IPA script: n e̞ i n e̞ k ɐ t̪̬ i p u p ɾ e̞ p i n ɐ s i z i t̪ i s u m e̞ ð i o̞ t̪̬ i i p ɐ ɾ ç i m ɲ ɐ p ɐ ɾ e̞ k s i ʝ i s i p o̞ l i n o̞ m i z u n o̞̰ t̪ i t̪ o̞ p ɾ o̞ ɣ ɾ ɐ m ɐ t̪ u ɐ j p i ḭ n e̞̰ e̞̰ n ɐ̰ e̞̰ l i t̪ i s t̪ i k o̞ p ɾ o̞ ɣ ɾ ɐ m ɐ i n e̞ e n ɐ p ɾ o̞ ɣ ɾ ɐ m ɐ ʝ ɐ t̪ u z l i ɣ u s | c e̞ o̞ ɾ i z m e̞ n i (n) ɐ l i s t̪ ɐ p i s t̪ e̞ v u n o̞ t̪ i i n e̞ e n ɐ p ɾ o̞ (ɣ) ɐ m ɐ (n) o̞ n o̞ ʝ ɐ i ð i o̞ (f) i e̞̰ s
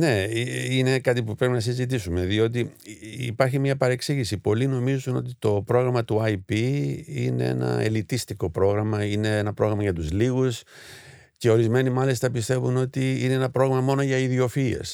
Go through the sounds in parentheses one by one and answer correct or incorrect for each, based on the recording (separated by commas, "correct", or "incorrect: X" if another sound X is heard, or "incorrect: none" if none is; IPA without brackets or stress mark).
incorrect: m, correct, incorrect: m, correct